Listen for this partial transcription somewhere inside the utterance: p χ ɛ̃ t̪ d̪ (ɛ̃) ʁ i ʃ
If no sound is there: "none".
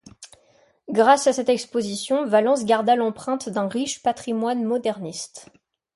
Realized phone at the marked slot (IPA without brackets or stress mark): ɛ̃